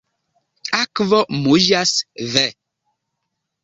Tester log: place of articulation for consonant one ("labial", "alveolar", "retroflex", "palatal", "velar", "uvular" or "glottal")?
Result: velar